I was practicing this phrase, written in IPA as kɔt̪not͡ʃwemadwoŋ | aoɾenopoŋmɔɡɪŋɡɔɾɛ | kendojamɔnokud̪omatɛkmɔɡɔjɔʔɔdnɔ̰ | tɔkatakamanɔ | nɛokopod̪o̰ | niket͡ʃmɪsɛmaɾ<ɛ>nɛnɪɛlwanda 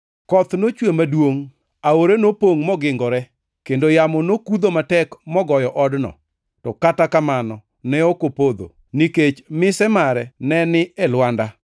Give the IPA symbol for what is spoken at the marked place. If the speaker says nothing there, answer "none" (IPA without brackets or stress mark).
ɛ